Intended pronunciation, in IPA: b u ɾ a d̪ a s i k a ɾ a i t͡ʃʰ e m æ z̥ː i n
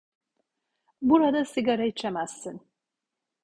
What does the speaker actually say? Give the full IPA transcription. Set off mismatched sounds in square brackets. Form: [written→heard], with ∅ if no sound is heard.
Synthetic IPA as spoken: b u ɾ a d̪ a s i [k→ɡ] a ɾ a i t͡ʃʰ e m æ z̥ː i n